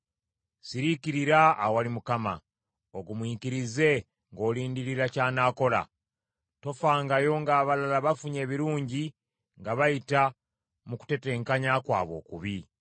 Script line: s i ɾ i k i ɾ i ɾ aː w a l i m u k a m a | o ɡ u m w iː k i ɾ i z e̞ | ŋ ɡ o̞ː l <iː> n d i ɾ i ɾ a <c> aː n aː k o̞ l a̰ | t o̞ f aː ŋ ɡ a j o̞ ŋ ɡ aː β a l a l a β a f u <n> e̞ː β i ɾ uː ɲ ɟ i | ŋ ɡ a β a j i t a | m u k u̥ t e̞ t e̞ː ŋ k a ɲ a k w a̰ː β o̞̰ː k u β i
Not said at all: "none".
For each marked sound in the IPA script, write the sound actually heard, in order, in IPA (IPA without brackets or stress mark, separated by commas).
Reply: iː, c, ɲ